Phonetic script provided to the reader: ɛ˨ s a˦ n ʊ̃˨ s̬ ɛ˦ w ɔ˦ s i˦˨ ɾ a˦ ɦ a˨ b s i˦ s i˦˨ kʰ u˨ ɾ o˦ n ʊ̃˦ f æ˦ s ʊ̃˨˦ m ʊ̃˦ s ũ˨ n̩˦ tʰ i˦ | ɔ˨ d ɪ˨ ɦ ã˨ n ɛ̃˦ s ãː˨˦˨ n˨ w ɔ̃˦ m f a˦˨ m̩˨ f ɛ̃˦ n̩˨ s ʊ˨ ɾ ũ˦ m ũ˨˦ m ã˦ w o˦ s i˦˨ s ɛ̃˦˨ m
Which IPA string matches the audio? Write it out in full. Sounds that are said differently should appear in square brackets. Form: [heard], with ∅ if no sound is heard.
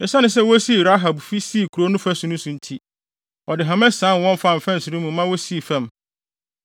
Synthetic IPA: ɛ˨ s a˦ n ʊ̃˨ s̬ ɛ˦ w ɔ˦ s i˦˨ ɾ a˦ ɦ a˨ b [f] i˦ s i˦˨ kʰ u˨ ɾ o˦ n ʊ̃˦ f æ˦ s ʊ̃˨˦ [n] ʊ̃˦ s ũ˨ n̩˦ tʰ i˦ | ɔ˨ d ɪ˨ ɦ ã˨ [m] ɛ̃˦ s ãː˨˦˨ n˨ w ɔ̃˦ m f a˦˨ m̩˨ f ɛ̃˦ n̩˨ s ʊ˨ ɾ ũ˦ m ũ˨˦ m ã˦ w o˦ s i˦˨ [f] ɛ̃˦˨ m